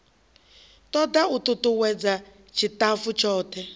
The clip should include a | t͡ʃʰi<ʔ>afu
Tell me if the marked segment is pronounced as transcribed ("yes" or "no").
no